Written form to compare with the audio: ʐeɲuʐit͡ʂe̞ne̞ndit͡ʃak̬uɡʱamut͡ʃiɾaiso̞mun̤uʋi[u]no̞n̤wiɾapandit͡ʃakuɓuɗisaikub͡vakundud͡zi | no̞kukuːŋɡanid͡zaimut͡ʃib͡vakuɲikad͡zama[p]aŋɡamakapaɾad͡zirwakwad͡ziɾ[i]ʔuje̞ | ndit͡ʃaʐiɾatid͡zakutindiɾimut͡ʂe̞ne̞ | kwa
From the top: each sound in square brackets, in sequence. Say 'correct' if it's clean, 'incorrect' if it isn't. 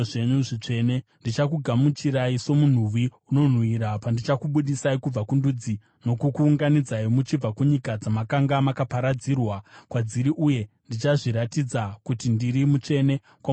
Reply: correct, incorrect, correct

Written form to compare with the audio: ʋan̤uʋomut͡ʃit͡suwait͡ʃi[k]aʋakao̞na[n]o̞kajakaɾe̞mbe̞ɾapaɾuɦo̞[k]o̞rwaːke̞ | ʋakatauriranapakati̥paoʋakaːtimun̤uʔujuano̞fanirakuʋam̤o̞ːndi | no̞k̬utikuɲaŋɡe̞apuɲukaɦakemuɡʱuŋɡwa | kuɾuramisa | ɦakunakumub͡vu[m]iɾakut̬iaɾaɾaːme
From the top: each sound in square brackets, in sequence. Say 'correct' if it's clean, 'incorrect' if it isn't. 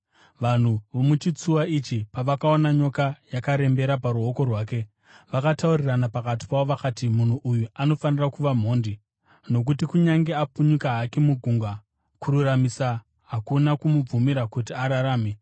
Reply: incorrect, incorrect, correct, correct

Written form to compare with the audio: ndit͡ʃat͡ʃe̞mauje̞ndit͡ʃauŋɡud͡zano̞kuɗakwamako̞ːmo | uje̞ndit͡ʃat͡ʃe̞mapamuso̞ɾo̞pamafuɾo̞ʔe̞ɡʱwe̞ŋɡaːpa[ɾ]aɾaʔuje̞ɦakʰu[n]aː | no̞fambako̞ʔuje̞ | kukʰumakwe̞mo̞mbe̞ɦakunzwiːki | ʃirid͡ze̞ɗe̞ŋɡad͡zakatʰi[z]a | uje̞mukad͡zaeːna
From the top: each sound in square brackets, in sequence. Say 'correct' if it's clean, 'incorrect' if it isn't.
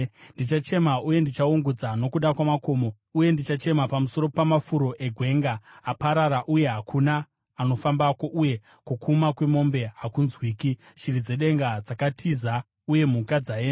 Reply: correct, correct, correct

